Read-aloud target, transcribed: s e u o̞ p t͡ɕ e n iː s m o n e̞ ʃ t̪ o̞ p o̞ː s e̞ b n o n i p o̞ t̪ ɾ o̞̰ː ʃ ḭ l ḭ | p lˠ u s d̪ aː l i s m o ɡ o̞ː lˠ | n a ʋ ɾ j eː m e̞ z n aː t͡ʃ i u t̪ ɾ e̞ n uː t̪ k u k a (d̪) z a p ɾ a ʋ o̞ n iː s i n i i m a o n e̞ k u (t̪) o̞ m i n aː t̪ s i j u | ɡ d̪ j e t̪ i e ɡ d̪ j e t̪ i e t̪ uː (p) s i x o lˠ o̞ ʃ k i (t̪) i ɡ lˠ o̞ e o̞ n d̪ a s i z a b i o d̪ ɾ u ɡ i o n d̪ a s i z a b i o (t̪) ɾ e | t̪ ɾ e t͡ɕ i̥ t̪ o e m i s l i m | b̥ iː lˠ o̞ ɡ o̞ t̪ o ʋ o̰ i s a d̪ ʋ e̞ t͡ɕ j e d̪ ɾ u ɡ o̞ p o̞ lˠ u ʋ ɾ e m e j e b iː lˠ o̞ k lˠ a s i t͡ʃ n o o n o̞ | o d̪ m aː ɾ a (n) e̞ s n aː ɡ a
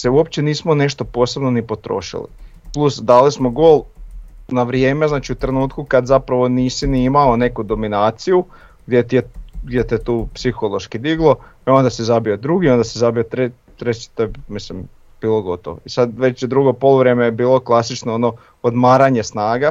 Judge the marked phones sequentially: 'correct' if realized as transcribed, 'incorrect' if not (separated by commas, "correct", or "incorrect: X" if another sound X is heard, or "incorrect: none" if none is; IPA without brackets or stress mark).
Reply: correct, incorrect: d̪, correct, incorrect: d̪, correct, incorrect: ɲ